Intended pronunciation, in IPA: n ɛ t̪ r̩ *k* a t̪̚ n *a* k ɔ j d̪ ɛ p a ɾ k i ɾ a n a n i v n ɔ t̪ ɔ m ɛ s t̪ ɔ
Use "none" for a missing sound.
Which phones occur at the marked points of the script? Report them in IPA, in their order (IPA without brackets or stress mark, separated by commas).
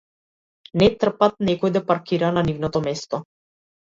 p, ɛ